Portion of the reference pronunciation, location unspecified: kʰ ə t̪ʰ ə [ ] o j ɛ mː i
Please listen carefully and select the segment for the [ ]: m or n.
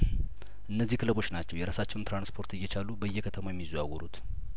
m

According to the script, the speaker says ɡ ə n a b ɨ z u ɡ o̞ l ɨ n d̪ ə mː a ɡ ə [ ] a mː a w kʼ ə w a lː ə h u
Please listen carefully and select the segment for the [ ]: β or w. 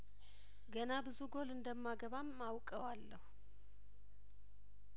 β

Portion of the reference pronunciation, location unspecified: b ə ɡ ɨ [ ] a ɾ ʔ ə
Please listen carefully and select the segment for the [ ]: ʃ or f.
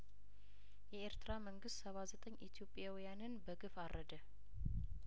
f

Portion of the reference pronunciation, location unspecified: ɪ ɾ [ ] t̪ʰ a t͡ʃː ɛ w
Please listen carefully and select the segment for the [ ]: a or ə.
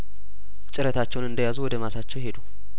ə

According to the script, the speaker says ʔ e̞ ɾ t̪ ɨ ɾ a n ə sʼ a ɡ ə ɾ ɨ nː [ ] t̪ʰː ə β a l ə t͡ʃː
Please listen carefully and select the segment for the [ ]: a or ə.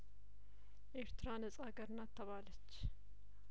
a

